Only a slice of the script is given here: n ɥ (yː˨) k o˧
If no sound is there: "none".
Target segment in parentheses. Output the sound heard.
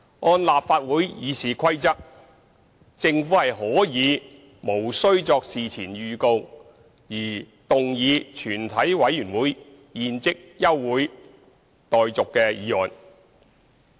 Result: yː˨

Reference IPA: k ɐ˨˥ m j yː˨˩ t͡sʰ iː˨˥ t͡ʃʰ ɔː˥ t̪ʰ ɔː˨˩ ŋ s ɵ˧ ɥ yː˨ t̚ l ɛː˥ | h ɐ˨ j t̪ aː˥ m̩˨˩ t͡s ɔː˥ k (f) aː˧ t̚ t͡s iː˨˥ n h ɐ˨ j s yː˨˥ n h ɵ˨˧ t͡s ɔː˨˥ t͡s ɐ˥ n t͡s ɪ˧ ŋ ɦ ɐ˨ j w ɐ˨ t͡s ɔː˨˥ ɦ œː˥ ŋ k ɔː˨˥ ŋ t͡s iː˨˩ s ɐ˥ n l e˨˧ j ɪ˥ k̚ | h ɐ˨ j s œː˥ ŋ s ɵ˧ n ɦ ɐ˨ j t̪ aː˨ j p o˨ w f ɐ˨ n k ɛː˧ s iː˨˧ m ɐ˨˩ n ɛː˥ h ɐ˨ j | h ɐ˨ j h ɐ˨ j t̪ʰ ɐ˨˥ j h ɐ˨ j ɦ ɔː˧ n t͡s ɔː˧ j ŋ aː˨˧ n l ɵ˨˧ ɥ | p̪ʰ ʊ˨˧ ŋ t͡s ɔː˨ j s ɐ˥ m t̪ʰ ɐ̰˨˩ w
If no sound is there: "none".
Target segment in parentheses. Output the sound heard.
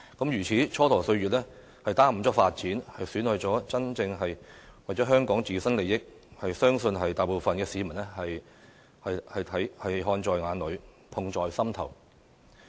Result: f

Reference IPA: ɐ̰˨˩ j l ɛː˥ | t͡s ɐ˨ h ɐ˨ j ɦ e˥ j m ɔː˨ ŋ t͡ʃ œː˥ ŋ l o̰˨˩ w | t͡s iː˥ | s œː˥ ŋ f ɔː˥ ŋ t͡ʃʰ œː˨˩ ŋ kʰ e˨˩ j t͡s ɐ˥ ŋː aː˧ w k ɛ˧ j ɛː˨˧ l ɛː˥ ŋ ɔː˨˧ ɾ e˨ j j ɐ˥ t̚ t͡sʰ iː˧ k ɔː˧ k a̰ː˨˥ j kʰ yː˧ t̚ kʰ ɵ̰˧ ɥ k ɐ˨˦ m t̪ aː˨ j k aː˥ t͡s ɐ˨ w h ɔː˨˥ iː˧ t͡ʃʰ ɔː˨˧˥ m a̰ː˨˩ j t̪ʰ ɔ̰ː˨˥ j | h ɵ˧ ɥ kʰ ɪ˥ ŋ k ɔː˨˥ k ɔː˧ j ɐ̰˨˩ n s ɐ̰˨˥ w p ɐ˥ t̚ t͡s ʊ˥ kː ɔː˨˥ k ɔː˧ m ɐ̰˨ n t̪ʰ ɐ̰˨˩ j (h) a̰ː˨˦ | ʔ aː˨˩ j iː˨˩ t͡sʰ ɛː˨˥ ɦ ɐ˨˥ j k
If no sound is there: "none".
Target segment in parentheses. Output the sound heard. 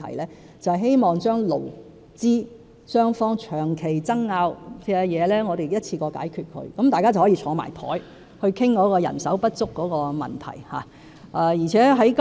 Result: h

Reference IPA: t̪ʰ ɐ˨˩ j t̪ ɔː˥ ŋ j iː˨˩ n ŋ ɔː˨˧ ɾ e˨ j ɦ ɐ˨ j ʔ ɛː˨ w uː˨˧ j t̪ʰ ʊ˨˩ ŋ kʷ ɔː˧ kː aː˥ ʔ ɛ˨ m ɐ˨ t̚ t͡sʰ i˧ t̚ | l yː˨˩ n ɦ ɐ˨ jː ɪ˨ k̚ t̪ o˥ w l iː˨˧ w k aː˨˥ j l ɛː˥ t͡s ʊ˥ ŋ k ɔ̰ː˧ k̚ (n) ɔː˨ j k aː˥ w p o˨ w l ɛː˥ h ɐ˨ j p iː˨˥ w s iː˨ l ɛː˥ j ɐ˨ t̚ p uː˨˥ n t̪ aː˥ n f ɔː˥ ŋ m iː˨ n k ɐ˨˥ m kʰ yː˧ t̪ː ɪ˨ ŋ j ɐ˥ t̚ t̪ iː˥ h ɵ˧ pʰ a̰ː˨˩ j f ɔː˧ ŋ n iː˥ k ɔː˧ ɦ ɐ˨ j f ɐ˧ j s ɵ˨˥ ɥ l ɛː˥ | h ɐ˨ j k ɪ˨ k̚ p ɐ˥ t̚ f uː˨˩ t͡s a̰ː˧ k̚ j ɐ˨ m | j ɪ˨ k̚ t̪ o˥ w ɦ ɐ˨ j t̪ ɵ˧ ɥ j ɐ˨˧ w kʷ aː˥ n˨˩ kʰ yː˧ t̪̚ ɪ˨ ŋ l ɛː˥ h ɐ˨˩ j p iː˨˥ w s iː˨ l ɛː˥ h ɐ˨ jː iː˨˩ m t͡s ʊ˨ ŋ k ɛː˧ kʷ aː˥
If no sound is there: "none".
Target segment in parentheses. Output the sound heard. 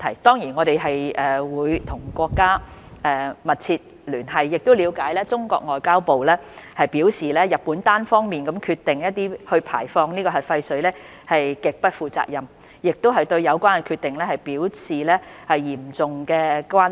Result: ŋ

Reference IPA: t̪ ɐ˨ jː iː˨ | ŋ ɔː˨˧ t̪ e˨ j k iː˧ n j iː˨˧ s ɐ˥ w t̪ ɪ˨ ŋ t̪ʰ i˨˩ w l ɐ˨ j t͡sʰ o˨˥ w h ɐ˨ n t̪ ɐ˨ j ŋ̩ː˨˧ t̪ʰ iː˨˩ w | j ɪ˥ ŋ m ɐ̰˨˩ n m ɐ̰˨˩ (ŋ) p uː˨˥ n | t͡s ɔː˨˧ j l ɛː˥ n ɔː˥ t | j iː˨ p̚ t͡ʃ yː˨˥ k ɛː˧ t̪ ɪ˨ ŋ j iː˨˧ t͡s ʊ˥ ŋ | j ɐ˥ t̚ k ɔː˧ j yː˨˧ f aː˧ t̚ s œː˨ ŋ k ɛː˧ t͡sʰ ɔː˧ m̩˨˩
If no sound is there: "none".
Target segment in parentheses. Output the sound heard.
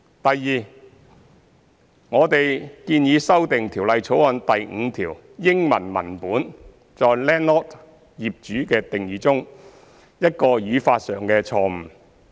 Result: n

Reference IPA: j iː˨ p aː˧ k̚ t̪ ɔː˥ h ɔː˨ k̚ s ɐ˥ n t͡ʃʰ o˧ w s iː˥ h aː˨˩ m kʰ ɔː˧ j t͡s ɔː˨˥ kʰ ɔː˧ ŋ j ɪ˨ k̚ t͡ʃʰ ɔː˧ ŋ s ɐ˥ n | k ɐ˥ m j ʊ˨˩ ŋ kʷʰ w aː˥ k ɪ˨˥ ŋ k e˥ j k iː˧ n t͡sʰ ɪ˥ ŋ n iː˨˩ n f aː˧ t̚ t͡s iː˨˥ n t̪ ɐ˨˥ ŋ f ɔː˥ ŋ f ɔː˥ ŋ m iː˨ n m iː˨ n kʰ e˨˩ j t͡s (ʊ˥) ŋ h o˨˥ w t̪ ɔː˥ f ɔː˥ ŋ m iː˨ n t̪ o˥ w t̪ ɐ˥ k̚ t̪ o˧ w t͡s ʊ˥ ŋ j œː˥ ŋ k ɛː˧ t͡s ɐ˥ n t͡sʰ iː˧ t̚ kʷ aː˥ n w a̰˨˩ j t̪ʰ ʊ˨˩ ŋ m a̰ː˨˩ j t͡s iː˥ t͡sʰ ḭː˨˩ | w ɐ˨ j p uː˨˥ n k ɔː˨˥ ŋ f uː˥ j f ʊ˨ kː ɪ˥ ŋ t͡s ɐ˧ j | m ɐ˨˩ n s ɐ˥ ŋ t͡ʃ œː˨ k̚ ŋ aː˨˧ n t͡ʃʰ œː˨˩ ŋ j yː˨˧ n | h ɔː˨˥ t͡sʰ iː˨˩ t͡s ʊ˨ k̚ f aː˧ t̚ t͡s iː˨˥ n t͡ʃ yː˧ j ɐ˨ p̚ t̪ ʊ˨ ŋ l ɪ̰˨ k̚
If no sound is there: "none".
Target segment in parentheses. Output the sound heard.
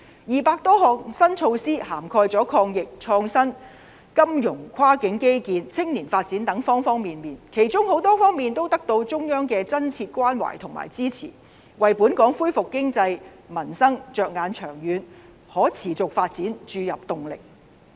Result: ʊ˥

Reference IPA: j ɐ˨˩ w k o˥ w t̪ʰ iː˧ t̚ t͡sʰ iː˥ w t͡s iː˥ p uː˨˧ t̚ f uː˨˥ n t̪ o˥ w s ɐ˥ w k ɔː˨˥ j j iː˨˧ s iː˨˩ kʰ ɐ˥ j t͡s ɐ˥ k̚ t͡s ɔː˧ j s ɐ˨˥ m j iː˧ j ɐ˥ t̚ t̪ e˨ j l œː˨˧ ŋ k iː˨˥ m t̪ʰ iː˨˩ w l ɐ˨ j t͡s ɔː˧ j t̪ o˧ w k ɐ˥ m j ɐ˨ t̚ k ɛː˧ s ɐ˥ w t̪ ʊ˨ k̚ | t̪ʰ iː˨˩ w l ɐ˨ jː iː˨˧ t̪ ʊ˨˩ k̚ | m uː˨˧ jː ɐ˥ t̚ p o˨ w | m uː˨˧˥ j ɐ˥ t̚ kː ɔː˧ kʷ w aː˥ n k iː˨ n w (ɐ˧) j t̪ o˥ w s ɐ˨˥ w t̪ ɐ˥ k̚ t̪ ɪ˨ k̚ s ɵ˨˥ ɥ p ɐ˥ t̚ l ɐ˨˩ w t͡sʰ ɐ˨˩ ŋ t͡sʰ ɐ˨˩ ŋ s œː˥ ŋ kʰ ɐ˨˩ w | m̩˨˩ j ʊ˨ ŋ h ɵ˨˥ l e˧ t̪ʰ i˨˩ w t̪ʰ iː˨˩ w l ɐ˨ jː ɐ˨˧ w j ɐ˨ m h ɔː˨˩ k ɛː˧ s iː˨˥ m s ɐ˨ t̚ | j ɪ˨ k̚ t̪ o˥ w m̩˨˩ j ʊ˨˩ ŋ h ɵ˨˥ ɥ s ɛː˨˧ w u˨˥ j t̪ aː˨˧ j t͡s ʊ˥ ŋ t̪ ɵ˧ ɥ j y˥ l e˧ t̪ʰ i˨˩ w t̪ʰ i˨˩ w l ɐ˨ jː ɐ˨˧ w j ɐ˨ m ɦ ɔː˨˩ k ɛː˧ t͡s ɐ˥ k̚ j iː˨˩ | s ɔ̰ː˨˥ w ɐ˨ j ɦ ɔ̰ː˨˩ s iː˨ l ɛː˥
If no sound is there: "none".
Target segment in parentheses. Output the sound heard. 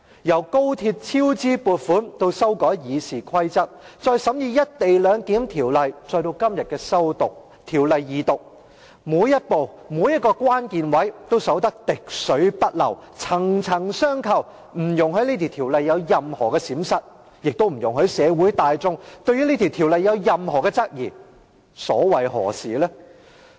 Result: ɐ˨˥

